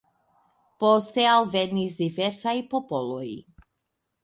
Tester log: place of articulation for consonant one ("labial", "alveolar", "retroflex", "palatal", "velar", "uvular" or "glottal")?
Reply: labial